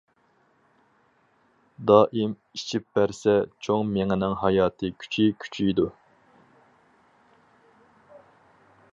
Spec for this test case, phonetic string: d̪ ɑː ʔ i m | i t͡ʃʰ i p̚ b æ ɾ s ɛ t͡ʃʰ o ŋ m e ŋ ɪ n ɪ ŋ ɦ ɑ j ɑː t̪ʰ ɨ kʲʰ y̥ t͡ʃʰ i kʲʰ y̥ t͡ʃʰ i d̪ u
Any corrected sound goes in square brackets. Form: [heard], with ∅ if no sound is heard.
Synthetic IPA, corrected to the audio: d̪ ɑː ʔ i m | i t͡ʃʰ i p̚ b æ ɾ s ɛ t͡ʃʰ o ŋ m e ŋ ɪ n ɪ ŋ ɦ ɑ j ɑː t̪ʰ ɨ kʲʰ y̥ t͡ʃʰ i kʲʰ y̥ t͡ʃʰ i d̪ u